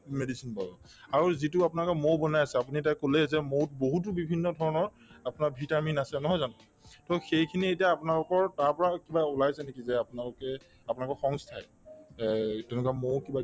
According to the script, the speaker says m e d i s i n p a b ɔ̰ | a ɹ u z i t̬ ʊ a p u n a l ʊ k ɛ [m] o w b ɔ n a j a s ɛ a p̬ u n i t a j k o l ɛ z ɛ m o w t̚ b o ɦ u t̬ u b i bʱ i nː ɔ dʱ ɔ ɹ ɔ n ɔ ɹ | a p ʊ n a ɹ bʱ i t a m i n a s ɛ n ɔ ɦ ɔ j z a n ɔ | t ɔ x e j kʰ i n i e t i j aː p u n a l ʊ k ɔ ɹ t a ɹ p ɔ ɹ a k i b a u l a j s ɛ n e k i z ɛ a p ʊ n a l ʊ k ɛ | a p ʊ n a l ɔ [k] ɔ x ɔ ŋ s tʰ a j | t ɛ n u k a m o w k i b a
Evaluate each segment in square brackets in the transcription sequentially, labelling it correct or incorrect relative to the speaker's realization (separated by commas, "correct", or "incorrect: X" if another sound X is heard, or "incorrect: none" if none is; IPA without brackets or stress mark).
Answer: correct, correct